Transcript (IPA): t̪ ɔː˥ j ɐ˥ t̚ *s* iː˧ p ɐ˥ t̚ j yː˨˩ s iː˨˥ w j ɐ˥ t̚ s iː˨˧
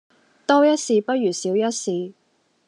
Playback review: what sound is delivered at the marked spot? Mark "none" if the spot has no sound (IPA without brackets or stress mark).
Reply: s